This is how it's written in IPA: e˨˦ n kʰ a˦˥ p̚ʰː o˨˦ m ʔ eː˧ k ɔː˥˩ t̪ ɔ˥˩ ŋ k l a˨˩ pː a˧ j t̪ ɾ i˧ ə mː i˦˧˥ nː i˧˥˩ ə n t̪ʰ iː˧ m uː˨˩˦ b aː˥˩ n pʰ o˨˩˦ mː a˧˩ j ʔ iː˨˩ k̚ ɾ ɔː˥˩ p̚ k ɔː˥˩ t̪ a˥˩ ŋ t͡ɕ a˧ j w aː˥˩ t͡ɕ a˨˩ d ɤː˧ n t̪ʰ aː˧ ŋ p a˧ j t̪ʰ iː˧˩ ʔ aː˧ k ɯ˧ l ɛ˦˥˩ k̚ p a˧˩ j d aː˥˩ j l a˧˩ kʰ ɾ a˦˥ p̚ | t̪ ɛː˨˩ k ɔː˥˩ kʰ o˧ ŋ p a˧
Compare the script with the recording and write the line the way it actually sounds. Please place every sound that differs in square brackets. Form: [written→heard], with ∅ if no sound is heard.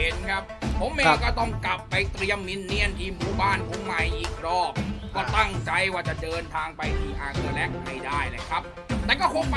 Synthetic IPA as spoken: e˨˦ n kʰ a˦˥ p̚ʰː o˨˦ m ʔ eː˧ k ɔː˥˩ t̪ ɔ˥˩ ŋ k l a˨˩ pː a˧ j t̪ ɾ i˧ ə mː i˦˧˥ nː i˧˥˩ ə n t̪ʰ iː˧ m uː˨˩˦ b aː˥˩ n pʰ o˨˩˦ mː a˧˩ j ʔ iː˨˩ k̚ ɾ ɔː˥˩ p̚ k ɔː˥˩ t̪ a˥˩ ŋ t͡ɕ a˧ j w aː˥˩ t͡ɕ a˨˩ d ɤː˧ n t̪ʰ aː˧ ŋ p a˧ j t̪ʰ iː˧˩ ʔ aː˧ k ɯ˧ l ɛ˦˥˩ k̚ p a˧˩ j d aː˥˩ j l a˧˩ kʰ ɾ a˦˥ p̚ | t̪ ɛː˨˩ k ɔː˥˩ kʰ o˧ ŋ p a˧